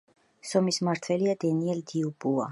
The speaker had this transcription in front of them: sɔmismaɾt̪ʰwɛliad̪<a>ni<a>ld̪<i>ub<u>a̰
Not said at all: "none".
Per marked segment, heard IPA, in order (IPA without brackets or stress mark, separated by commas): ɛ, ɛ, i, u